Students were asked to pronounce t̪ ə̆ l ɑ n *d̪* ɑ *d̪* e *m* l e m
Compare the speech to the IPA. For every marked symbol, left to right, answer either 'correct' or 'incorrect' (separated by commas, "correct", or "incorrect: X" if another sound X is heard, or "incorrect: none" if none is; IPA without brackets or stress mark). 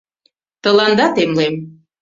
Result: correct, incorrect: t̪, correct